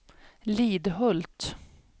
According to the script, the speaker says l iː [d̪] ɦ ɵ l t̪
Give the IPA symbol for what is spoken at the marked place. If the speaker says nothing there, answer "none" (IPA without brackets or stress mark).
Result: d̪